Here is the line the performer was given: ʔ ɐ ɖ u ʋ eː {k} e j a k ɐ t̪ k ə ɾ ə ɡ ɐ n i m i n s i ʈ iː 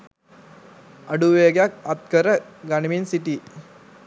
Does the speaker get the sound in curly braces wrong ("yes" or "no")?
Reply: yes